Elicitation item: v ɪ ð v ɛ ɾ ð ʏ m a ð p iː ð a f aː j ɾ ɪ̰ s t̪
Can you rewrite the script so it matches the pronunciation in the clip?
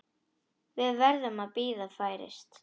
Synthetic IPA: v ɪ ð v ɛ ɾ ð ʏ m a ð p iː ð a f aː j ɾ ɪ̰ s t̪